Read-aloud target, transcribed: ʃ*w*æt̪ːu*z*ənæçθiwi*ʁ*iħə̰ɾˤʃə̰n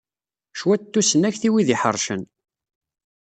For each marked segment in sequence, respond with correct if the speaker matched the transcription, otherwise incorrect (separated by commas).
correct, incorrect, incorrect